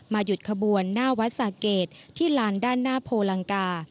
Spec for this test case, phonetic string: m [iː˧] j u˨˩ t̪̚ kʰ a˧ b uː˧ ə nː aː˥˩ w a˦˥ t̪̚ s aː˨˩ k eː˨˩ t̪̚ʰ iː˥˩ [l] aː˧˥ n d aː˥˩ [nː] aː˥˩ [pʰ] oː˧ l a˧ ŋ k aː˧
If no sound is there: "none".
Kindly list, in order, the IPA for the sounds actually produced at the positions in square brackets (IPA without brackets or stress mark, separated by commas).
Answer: aː˧, l, nː, pʰ